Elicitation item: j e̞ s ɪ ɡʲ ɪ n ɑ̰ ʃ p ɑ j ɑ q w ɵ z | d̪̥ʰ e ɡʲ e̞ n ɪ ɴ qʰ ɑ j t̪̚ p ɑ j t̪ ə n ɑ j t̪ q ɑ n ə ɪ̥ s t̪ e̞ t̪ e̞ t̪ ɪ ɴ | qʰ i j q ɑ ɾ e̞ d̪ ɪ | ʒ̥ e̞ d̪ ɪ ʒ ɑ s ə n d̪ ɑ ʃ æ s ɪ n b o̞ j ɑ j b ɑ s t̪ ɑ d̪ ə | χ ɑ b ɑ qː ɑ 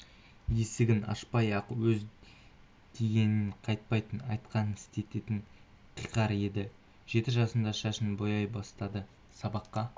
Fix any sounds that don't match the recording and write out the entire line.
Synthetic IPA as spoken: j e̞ s ɪ ɡʲ ɪ n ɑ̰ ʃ p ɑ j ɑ q w ɵ z | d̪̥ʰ e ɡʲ e̞ n ɪ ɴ qʰ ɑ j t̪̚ p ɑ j t̪ ə n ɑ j t̪ q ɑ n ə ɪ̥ s t̪ e̞ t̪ e̞ t̪ ɪ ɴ | qʰ i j q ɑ ɾ e̞ d̪ ɪ | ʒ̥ e̞ t̪ ɪ ʒ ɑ s ə n d̪ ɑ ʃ æ ʃ ɪ n b o̞ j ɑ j b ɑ s t̪ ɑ d̪ ə | s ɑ b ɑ qː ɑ